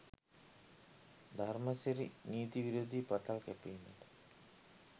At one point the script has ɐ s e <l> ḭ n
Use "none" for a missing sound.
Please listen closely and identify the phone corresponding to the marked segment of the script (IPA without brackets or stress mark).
ɾ